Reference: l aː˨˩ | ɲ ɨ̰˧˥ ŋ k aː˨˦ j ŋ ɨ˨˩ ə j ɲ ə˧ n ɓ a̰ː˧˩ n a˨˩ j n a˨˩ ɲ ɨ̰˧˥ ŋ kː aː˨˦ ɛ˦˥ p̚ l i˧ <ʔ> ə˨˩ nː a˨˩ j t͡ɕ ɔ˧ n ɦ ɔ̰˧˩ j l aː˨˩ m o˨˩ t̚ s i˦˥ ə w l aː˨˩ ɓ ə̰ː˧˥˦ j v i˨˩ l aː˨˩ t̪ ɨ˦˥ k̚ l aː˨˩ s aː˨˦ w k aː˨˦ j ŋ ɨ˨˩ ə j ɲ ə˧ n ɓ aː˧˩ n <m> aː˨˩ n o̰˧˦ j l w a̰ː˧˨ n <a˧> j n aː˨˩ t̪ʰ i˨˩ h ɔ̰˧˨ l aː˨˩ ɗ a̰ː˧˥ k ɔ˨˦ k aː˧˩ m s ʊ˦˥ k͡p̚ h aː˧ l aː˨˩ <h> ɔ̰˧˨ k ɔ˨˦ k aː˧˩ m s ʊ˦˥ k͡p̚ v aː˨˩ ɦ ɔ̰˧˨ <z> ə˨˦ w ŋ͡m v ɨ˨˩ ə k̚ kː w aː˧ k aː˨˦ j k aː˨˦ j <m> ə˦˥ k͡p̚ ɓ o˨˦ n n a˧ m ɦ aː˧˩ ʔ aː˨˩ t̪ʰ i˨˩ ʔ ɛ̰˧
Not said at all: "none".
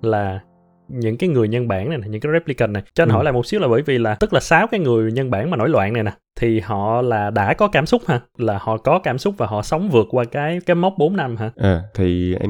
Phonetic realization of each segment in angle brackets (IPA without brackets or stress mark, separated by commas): k, m, a˨˩, h, s, m